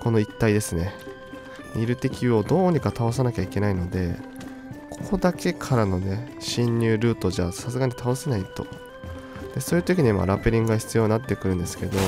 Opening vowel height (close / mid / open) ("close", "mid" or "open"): mid